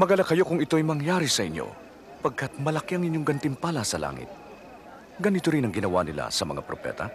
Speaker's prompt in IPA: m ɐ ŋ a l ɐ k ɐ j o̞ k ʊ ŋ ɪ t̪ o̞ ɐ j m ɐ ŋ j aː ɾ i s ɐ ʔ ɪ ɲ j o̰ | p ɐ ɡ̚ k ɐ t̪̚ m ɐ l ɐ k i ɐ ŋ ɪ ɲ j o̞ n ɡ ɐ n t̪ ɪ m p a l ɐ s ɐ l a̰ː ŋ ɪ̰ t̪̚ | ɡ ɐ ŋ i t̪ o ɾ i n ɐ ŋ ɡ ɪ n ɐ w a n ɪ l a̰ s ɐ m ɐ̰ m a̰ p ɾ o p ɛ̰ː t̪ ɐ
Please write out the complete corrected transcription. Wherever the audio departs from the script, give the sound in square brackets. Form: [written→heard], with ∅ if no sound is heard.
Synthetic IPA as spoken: m ɐ [ŋ→ɡ] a l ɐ k ɐ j o̞ k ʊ ŋ ɪ t̪ o̞ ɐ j m ɐ ŋ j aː ɾ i s ɐ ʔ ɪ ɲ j o̰ | p ɐ ɡ̚ k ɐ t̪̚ m ɐ l ɐ k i ɐ ŋ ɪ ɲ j o̞ [n→ŋ] ɡ ɐ n t̪ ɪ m p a l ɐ s ɐ l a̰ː ŋ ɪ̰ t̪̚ | ɡ ɐ [ŋ→n] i t̪ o ɾ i n ɐ ŋ ɡ ɪ n ɐ w a n ɪ l a̰ s ɐ m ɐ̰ [m→ŋ] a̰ p ɾ o p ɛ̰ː t̪ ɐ